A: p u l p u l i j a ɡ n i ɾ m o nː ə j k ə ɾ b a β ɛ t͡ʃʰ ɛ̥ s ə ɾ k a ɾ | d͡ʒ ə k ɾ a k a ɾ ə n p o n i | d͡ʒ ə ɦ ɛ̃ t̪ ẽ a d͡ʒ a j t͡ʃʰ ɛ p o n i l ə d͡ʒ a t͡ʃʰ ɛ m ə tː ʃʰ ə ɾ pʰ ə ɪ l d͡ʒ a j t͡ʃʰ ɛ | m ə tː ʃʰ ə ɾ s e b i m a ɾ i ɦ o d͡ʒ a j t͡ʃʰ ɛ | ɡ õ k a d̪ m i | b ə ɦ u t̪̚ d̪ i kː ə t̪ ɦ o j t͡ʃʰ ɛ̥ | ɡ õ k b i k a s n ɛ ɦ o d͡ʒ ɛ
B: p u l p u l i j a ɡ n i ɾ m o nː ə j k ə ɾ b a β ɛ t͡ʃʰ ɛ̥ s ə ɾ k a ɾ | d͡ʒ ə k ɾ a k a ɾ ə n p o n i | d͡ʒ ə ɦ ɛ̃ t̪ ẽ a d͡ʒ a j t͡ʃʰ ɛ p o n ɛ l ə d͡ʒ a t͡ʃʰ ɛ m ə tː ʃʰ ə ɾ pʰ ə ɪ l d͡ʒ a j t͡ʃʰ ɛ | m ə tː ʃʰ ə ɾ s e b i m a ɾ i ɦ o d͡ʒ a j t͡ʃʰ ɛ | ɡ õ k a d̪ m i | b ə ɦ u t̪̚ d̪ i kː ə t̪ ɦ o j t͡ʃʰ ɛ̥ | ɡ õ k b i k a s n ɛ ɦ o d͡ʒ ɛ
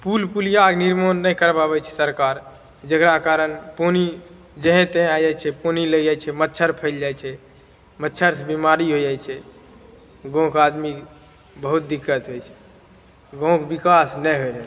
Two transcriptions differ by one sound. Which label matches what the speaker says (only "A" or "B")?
A